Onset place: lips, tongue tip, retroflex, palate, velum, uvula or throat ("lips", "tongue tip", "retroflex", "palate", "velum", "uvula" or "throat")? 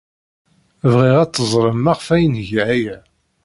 lips